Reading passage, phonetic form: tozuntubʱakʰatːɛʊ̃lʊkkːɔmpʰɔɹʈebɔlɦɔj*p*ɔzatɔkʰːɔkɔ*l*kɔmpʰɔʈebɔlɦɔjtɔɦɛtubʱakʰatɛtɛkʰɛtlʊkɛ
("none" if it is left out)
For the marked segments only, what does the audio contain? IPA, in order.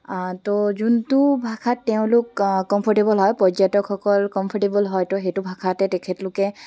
p, l

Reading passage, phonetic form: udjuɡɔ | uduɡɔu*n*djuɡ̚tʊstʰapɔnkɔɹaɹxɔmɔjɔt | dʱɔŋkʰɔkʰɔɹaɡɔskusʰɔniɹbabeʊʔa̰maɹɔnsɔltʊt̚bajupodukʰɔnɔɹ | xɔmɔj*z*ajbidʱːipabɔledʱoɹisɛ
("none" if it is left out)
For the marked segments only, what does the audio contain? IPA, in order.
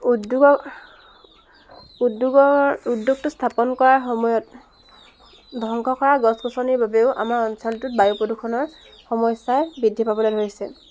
none, s

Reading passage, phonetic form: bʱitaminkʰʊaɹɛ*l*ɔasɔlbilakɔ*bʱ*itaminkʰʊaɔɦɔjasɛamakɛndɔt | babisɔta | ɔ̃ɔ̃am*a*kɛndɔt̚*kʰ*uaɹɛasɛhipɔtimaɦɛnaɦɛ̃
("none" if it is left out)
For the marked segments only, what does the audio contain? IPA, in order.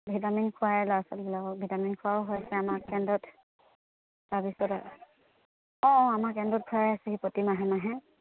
l, bʱ, a, kʰ

